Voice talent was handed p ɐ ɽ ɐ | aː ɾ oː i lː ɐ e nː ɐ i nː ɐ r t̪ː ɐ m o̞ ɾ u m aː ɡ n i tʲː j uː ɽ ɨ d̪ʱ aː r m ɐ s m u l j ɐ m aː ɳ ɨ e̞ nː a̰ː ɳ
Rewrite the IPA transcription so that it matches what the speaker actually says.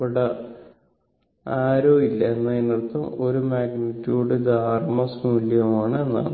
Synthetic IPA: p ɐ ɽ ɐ | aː ɾ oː i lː ɐ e nː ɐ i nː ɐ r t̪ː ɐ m o̞ ɾ u m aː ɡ n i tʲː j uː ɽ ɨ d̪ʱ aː r m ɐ s m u l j ɐ m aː ɳ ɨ e̞ nː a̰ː ɳ